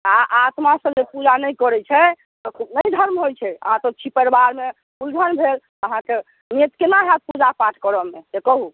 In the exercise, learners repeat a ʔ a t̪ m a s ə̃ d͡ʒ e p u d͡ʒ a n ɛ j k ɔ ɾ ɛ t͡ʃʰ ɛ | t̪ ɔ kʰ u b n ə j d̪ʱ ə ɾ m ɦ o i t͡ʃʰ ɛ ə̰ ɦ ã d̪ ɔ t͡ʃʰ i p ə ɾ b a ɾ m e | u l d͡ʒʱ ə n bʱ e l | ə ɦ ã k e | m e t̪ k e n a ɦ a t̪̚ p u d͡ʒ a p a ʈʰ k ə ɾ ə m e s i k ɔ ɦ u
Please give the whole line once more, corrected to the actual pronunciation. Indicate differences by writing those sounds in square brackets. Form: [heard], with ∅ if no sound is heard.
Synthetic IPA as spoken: a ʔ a t̪ m a s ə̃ d͡ʒ e p u d͡ʒ a n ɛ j k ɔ ɾ ɛ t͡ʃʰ ɛ | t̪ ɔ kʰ u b n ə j d̪ʱ ə ɾ m ɦ o [j] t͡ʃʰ ɛ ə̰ ɦ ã [t̪] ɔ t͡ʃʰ i p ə ɾ b a ɾ m e | u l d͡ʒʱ ə n bʱ e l | ə ɦ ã k e | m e t̪ k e n a ɦ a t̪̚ p u d͡ʒ a p a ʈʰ k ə ɾ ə m e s [e] k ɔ ɦ u